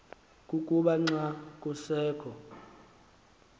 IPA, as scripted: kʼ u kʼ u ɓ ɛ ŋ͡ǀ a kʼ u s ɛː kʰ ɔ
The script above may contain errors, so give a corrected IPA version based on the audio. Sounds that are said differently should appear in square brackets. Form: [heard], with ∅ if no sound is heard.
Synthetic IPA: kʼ u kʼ u ɓ [a] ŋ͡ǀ a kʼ u s ɛː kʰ ɔ